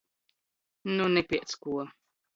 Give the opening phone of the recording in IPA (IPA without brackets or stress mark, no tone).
n